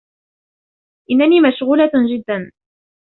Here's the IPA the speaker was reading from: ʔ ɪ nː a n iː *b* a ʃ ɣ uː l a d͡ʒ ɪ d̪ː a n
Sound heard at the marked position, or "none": m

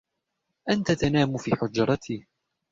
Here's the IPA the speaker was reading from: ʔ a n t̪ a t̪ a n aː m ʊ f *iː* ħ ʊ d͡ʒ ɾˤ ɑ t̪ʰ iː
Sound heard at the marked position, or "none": iː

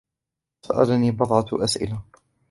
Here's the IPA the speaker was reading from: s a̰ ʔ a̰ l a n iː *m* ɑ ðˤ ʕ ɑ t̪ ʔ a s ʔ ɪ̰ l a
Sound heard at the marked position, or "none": b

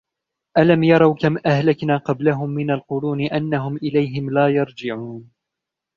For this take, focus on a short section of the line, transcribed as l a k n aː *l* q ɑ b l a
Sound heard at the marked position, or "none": none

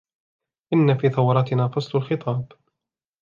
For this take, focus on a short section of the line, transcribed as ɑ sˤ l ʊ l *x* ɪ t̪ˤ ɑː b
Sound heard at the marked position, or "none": x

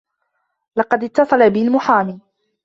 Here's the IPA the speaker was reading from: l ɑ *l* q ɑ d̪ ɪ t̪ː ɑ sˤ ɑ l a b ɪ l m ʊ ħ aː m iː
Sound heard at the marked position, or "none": none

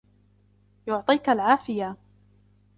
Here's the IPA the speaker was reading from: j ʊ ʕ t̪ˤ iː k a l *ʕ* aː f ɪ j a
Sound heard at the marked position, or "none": ʕ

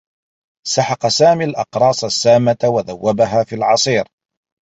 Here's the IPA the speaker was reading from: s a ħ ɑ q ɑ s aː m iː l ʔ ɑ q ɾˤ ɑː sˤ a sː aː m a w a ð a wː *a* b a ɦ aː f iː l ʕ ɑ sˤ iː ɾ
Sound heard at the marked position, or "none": a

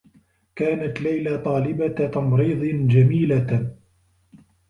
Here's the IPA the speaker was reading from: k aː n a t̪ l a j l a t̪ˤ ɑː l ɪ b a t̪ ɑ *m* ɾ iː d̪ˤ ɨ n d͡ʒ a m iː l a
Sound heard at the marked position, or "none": m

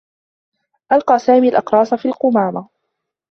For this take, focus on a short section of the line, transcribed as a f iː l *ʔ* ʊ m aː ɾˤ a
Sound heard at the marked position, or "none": q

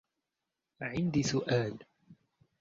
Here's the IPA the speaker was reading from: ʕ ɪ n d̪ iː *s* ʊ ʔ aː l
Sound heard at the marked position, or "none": s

